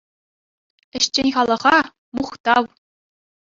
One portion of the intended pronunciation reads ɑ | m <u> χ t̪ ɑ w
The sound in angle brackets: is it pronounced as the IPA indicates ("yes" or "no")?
yes